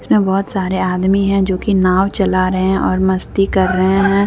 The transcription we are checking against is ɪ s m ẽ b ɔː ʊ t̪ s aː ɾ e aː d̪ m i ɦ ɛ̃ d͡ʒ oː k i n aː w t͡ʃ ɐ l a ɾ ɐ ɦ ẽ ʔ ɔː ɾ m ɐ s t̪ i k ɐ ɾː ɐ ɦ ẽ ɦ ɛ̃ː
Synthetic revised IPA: ɪ s m ẽ b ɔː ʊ t̪ s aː ɾ e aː d̪ m i ɦ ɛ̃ d͡ʒ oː k i n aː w t͡ʃ ɐ l a ɾ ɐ ɦ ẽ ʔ ɔː ɾ m ɐ s t̪ i k ɐ ɾː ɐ ɦ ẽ ɦ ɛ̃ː